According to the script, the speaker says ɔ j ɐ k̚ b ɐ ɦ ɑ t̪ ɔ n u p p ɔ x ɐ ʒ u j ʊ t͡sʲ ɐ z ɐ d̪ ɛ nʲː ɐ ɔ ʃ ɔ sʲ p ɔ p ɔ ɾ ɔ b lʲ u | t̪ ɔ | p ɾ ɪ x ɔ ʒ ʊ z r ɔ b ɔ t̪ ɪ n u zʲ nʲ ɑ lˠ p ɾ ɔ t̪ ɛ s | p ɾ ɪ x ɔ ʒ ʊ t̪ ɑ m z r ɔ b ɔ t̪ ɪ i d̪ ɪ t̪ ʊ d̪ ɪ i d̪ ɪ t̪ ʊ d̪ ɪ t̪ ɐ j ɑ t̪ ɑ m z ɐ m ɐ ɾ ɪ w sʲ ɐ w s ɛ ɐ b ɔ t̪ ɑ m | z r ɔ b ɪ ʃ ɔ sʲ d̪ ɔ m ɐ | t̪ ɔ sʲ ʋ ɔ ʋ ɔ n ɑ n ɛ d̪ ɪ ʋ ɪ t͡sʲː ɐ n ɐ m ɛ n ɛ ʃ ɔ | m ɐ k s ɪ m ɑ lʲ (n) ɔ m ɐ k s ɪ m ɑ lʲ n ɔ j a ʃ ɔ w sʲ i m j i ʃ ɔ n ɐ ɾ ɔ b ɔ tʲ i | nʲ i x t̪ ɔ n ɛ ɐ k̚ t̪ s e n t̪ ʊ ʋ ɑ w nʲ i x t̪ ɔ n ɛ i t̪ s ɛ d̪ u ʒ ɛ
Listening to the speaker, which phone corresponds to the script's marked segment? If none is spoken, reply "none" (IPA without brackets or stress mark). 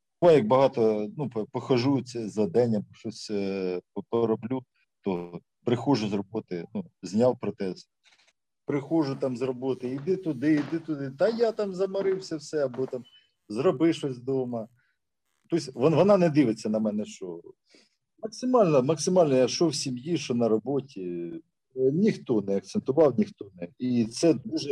n